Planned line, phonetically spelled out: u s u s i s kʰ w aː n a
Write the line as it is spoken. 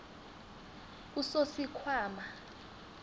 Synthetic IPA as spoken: u s o s i kʰ w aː m a